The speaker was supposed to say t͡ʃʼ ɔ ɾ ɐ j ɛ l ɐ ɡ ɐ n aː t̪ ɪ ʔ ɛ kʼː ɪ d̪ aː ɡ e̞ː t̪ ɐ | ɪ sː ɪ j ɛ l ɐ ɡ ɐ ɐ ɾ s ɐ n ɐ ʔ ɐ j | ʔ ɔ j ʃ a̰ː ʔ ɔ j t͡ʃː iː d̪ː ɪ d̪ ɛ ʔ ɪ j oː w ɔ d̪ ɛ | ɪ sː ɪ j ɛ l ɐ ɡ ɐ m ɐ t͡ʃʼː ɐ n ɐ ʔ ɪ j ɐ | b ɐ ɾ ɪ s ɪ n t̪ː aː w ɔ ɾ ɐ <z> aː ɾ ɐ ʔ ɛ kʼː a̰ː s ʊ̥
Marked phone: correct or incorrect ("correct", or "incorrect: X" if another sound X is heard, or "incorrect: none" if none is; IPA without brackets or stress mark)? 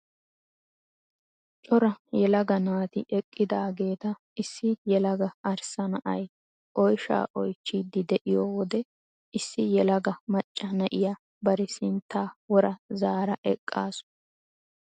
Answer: correct